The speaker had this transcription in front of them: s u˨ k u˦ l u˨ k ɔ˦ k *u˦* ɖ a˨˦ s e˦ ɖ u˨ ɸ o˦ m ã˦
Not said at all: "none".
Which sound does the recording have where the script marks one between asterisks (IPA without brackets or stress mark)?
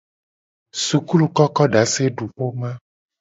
ɔ˦